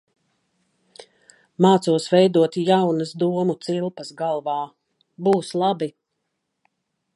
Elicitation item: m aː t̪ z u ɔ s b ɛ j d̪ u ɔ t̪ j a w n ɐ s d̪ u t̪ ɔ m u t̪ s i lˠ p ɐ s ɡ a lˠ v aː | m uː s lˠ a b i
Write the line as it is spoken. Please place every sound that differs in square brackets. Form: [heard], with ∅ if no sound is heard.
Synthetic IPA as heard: m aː t̪ [s] u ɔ s [v] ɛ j d̪ u ɔ t̪ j a w n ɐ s d̪ u [∅] ɔ m u t̪ s i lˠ p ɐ s ɡ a lˠ v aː | [b] uː s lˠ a b i